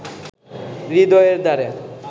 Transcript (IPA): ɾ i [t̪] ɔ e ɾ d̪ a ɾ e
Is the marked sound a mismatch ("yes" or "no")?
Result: yes